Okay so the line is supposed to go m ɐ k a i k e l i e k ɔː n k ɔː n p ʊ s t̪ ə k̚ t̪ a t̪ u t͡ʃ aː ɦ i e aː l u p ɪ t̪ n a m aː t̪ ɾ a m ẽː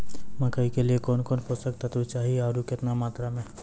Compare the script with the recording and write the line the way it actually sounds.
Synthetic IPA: m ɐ k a i k e l i e k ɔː n k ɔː n p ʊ s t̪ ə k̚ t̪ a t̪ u t͡ʃ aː ɦ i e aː ɾ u k ɪ t̪ n a m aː t̪ ɾ a m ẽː

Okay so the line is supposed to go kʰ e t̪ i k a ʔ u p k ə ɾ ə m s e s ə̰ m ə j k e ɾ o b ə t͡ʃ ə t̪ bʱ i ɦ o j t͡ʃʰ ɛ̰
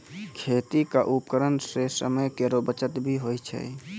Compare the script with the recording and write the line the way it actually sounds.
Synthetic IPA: kʰ e t̪ i k a ʔ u p k ə ɾ ə n s e s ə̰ m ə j k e ɾ o b ə t͡ʃ ə t̪ bʱ i ɦ o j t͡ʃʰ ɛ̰

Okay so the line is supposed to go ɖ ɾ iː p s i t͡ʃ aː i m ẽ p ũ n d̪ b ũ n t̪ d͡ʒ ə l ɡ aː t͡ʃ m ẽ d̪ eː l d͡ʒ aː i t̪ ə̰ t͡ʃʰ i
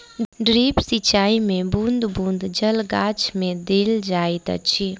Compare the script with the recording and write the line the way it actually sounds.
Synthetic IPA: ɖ ɾ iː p s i t͡ʃ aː i m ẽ b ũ n d̪ b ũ n d̪ d͡ʒ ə l ɡ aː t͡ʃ m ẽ d̪ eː l d͡ʒ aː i t̪ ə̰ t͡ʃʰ i

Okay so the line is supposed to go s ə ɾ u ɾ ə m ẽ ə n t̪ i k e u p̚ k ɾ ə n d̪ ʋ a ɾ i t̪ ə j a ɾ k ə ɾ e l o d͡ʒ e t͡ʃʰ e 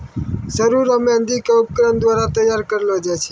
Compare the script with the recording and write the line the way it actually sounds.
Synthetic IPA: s ə ɾ u ɾ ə m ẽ ə n d̪ i k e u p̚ k ɾ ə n d̪ ʋ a ɾ a t̪ ə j a ɾ k ə ɾ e l o d͡ʒ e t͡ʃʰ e

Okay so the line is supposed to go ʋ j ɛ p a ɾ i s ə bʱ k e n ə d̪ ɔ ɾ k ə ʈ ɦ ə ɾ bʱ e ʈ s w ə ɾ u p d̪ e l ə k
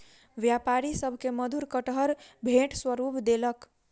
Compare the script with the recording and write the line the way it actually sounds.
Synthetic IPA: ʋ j a p a ɾ i s ə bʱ k e m ə d̪ u ɾ k ə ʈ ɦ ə ɾ bʱ e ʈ s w ə ɾ u p d̪ e l ə k

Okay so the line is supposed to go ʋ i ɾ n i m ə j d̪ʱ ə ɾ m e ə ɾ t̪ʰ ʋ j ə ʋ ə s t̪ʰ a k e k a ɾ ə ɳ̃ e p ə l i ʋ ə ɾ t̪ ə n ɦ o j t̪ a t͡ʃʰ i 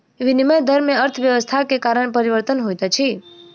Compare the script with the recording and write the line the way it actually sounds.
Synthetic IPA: ʋ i n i m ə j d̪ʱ ə ɾ m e ə ɾ t̪ʰ ʋ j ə ʋ ə s t̪ʰ a k e k a ɾ ə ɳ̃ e p ə ɾ i ʋ ə ɾ t̪ ə n ɦ o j t̪ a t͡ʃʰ i

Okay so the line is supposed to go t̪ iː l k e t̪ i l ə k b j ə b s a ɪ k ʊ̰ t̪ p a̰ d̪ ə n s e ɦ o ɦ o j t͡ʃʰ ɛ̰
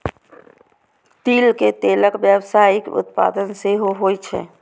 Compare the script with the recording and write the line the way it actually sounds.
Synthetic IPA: t̪ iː l k e t̪ e l ə k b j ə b s a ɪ k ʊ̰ t̪ p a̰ d̪ ə n s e ɦ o ɦ o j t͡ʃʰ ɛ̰

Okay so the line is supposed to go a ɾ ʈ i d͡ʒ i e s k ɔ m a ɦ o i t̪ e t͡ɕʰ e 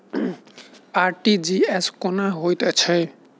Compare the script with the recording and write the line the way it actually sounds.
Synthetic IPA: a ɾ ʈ i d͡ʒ i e s k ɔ n a ɦ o j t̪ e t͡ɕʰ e

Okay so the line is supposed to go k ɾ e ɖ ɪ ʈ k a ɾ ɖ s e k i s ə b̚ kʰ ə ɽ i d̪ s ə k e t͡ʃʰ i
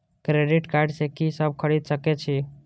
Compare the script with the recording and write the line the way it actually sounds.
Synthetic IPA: k ɾ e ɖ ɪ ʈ k a ɾ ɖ s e k i s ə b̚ kʰ ə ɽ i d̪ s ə k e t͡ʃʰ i

